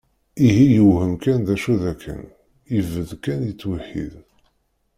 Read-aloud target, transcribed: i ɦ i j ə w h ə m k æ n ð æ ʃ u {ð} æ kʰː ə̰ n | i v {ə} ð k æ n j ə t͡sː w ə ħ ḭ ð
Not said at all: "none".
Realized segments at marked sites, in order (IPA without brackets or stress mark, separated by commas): ð, ə